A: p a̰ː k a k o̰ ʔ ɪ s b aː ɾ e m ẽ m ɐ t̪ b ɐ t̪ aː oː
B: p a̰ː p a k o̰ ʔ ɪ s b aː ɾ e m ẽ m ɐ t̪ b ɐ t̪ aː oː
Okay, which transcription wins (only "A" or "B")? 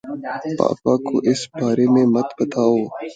B